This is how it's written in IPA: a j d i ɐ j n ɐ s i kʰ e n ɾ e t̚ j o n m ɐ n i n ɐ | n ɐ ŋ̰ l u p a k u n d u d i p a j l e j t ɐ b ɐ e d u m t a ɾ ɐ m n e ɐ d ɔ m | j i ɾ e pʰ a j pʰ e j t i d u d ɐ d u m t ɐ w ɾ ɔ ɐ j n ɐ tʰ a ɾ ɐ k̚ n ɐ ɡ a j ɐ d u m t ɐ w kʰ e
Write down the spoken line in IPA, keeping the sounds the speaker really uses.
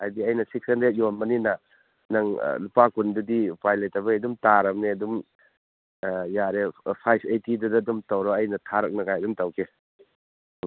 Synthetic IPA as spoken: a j d i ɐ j n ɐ s i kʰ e n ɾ e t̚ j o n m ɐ n i n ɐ | n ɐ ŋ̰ l u p a k u n d u d i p a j l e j t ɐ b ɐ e d u m t a ɾ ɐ m n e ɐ d u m | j a ɾ e pʰ a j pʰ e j t i d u d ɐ d u m t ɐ w ɾ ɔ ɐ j n ɐ tʰ a ɾ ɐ k̚ n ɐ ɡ a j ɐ d u m t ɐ w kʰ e